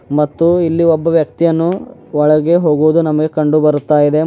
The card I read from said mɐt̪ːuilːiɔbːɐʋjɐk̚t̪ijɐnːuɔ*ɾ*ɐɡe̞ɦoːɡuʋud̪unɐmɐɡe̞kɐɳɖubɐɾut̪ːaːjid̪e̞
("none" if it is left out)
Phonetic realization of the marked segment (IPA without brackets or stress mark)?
ɭ